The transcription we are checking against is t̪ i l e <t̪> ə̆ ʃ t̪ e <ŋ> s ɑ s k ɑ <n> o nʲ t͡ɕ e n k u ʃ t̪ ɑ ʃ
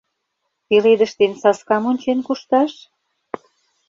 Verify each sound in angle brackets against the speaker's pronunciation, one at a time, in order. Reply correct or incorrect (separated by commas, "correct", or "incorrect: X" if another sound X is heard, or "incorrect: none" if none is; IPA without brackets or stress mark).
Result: incorrect: d̪, incorrect: n, incorrect: m